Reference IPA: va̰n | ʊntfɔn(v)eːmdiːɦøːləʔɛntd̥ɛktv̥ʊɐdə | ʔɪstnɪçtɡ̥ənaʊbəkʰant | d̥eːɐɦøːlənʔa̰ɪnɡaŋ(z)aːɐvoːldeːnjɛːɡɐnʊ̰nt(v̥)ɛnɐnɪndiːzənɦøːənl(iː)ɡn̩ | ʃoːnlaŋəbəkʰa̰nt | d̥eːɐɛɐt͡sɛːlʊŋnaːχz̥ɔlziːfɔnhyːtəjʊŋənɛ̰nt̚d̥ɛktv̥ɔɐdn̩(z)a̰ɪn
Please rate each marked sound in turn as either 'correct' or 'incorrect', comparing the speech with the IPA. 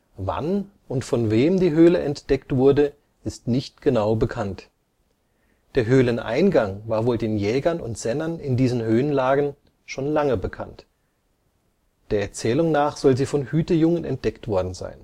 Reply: correct, incorrect: v, incorrect: z̥, incorrect: aː, correct

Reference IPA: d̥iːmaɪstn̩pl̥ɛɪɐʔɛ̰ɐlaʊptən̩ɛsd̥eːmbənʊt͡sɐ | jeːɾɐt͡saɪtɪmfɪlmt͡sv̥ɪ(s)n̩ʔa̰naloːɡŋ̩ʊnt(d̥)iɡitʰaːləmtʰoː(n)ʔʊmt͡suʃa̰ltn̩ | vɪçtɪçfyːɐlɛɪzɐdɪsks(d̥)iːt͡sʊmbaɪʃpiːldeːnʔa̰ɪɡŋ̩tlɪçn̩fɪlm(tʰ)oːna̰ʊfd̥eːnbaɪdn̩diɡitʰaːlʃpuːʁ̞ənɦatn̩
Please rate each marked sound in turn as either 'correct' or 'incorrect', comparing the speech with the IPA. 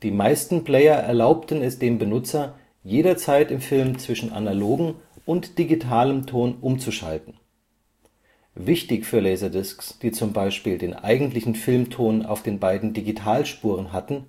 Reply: incorrect: ʃ, correct, correct, correct, correct

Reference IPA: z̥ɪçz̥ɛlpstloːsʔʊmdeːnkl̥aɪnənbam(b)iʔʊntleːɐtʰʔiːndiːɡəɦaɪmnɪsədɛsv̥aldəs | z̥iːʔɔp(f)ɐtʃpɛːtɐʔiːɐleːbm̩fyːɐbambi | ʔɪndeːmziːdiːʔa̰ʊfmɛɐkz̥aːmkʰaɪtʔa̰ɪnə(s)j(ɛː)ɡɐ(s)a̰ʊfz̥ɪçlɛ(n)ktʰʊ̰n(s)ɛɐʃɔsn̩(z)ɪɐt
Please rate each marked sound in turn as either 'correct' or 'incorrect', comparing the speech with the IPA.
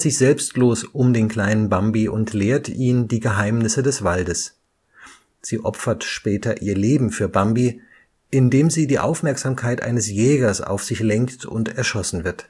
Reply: correct, correct, correct, correct, correct, incorrect: ŋ, incorrect: t, incorrect: v

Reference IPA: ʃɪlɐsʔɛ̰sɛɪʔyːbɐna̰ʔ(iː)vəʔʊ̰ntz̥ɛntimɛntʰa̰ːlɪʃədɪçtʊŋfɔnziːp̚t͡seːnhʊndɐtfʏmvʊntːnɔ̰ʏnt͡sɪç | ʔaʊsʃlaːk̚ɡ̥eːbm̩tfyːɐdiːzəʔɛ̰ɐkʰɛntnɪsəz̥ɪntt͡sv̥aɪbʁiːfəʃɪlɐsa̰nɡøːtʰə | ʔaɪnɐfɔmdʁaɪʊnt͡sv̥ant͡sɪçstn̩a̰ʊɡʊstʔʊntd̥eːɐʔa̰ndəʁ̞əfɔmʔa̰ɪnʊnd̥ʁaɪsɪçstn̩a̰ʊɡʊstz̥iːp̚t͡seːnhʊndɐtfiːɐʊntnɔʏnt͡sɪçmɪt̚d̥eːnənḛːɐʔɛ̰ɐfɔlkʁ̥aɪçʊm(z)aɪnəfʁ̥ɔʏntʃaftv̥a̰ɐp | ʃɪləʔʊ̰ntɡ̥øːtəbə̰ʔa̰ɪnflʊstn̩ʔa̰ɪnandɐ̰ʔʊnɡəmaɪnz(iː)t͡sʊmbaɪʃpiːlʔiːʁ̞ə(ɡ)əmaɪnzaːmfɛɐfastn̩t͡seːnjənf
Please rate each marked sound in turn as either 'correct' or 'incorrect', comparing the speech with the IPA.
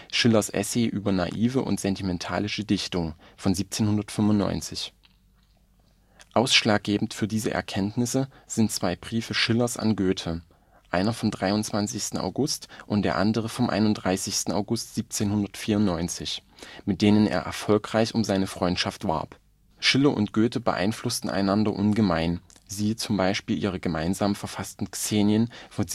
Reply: correct, correct, correct, correct

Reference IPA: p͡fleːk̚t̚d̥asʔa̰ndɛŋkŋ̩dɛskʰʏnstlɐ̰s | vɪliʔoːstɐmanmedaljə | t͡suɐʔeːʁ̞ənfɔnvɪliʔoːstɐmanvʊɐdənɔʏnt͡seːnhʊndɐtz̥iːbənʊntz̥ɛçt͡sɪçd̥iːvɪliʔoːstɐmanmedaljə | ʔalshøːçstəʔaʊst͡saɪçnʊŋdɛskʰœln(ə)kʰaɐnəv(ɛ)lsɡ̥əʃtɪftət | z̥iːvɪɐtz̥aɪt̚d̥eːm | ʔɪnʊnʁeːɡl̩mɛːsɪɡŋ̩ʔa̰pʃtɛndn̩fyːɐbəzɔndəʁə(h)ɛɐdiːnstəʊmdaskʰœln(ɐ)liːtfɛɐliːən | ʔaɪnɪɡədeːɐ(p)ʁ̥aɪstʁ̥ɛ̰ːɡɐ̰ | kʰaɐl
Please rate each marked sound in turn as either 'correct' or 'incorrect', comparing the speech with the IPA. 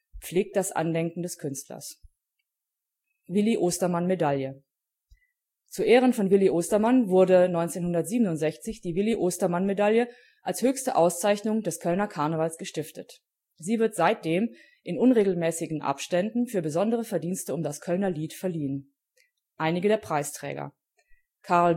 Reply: incorrect: ɐ, incorrect: a, incorrect: f, correct, correct

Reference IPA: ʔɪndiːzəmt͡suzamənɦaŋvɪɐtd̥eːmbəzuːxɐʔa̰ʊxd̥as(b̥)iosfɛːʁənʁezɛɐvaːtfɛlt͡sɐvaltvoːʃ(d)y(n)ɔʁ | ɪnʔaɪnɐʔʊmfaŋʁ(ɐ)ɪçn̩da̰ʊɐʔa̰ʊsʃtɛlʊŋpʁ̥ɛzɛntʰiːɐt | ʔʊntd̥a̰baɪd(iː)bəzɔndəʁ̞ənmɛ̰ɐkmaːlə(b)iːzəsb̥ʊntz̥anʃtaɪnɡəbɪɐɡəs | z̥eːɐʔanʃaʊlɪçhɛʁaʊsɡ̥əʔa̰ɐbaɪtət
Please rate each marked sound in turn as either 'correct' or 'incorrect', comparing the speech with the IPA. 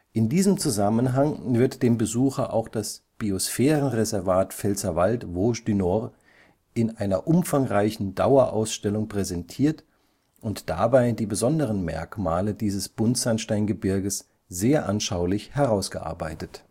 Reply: correct, correct, correct, incorrect: a, correct, incorrect: d

